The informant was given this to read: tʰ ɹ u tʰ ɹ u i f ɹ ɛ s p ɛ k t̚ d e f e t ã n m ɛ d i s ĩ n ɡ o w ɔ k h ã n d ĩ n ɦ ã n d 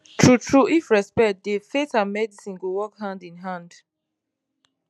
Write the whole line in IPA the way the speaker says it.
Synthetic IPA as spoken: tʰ ɹ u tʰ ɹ u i f ɹ ɛ s p ɛ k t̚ d e f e t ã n m ɛ d i s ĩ n ɡ o w ɔ k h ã n d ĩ n ɦ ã n d